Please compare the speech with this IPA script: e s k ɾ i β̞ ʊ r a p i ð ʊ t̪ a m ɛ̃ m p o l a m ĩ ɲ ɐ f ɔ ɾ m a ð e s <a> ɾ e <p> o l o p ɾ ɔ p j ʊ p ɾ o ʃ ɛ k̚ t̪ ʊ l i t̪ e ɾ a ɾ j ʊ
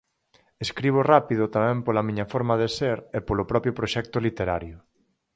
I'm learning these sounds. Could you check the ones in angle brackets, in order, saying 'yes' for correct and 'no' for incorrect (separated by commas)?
no, yes